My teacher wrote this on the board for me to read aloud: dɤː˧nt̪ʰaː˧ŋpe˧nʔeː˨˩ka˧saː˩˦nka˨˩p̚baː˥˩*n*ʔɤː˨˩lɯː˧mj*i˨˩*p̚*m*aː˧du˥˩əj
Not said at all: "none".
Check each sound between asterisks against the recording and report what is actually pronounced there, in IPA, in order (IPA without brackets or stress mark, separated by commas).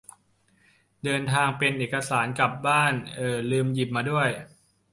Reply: n, i˨˩, m